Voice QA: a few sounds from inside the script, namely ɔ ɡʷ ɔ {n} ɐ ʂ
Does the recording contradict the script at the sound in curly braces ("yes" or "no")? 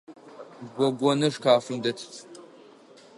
no